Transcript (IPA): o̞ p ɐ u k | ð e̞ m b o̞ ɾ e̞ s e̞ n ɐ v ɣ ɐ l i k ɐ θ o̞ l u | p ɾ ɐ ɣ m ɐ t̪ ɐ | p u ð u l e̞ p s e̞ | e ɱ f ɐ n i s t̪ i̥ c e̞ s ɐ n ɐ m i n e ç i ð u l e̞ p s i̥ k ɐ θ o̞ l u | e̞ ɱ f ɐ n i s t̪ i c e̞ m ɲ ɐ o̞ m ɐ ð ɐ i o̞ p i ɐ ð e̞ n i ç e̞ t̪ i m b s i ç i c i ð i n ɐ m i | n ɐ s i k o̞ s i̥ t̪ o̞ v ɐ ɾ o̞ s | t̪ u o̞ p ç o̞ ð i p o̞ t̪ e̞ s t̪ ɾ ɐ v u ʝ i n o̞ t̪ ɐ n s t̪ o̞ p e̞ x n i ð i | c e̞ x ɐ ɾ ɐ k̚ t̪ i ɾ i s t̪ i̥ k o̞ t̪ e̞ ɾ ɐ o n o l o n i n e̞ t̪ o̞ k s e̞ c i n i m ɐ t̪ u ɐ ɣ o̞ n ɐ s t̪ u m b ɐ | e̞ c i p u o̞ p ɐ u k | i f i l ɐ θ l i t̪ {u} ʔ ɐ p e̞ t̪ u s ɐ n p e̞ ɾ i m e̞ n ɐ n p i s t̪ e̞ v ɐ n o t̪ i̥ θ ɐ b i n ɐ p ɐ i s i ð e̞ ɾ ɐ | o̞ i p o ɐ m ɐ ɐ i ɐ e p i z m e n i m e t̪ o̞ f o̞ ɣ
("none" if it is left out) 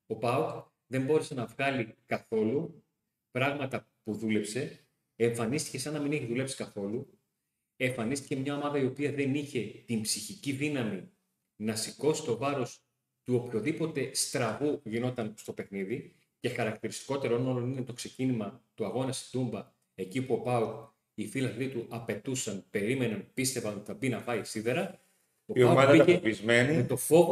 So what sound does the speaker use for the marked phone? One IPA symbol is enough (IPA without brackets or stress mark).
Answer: u